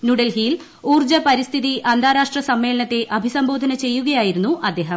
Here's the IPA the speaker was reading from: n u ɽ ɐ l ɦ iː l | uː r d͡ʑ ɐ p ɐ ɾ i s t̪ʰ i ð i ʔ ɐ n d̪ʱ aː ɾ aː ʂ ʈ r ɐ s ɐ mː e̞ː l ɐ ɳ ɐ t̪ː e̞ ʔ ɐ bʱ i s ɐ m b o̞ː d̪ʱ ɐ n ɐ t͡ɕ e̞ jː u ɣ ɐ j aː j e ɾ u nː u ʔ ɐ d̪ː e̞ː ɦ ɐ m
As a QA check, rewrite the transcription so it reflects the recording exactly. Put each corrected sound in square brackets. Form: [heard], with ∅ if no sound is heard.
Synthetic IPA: n u ɽ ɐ l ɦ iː l | uː r d͡ʑ ɐ p ɐ ɾ i s t̪ʰ i ð i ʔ ɐ n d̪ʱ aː ɾ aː ʂ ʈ r ɐ s ɐ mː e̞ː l ɐ ɳ ɐ t̪ː e̞ ʔ ɐ bʱ i s ɐ m b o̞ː d̪ʱ ɐ n ɐ t͡ɕ e̞ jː u ɣ ɐ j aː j [i] ɾ u nː u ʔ ɐ d̪ː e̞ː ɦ ɐ m